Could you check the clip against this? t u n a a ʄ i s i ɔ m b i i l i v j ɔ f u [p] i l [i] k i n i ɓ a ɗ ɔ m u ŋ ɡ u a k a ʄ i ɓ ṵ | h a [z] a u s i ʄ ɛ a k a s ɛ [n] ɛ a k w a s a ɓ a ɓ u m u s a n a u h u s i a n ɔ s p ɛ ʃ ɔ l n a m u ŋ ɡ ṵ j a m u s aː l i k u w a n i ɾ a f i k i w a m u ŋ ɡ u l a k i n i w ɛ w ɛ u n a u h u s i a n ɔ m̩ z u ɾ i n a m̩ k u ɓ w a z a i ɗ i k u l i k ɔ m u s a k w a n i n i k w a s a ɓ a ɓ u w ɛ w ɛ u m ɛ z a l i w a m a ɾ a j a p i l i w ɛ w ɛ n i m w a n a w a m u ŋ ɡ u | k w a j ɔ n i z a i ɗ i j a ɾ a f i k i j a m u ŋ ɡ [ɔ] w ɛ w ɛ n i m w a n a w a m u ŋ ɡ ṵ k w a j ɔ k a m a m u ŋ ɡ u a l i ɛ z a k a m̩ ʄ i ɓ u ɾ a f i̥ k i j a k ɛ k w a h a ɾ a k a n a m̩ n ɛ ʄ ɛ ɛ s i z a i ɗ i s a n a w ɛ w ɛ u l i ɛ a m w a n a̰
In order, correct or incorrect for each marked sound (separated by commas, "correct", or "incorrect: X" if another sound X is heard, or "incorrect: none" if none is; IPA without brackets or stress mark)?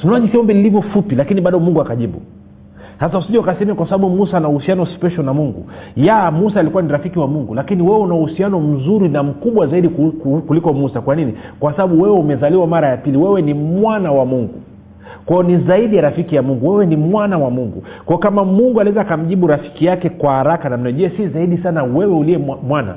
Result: correct, incorrect: a, incorrect: s, incorrect: m, incorrect: u